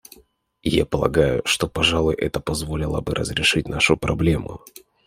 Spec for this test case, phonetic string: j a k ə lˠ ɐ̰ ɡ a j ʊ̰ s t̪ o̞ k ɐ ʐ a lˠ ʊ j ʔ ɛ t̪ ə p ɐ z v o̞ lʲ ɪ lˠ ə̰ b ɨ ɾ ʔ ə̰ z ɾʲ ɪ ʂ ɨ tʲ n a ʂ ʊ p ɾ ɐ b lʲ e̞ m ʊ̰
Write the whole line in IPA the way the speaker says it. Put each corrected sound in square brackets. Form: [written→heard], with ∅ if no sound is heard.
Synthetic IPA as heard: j a [k→p] ə lˠ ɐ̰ ɡ a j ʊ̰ [s→ʂ] t̪ o̞ [k→p] ɐ ʐ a lˠ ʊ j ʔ ɛ t̪ ə p ɐ z v o̞ lʲ ɪ lˠ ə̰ b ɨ ɾ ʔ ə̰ z ɾʲ ɪ ʂ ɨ tʲ n a ʂ ʊ p ɾ ɐ b lʲ e̞ m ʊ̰